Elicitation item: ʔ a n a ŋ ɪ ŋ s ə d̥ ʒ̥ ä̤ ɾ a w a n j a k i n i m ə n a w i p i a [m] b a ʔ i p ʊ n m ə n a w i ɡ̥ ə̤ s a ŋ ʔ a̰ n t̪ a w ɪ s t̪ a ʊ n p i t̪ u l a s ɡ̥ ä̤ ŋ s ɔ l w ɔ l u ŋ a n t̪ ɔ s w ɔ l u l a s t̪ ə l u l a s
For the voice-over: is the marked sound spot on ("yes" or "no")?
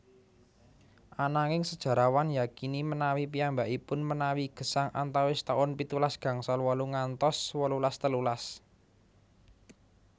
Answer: yes